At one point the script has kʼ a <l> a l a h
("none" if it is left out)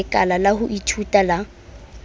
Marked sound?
l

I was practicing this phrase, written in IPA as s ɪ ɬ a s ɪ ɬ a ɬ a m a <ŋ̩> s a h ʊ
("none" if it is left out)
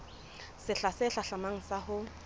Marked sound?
ŋ̩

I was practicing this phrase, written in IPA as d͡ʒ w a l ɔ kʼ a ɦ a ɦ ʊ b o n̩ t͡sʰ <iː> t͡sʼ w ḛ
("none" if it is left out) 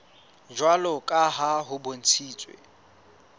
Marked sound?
iː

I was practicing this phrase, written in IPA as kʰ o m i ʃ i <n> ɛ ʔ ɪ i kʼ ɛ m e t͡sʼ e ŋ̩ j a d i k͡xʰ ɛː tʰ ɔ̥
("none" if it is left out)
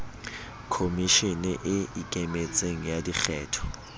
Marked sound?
n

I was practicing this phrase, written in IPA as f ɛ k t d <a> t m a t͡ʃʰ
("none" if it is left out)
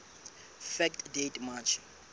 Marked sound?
e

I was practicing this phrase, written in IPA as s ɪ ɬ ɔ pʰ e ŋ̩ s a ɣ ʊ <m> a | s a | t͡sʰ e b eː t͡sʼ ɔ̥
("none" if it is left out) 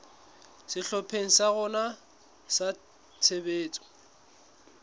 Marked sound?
n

